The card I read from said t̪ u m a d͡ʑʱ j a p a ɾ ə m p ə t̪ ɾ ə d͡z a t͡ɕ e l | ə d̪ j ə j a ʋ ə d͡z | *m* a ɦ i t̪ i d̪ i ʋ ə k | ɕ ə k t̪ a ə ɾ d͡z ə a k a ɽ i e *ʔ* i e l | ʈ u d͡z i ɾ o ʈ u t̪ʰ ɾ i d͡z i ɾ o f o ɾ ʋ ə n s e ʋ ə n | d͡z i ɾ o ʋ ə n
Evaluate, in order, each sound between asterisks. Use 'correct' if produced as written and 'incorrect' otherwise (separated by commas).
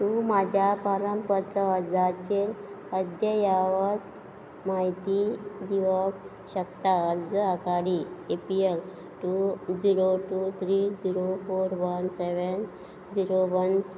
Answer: correct, incorrect